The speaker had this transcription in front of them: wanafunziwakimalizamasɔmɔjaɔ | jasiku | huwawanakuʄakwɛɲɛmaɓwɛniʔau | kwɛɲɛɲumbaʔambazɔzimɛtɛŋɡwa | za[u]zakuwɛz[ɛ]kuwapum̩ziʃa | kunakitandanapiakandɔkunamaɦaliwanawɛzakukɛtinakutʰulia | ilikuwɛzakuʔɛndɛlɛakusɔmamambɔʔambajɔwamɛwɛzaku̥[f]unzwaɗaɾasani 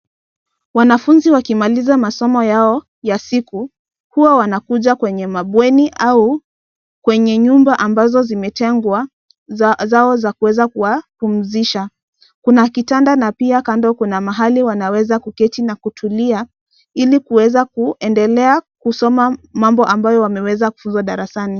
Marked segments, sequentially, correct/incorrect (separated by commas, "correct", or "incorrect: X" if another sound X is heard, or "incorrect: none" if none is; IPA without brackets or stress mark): incorrect: ɔ, incorrect: a, correct